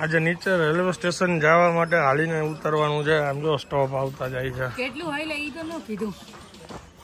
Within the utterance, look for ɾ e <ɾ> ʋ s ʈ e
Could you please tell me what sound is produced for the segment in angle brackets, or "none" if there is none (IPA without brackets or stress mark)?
l